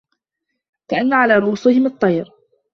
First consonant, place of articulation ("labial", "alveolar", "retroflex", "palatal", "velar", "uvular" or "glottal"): velar